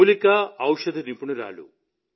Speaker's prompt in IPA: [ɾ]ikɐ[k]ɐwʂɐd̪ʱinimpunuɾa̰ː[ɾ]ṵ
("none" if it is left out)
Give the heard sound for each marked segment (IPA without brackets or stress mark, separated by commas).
l, none, l